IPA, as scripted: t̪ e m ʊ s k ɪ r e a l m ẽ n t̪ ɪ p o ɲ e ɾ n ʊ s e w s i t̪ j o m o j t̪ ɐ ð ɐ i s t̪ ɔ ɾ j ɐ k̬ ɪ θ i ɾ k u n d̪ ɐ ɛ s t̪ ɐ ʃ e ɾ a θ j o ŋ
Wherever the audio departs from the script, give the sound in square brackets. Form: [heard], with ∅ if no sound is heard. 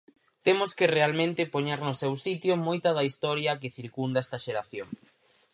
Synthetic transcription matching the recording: t̪ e m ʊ s k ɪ r e a l m ẽ n t̪ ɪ p o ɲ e ɾ n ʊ s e w s i t̪ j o m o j t̪ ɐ ð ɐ i s t̪ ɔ ɾ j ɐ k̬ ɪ θ i ɾ k u n d̪ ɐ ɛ s t̪ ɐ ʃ e ɾ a θ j o ŋ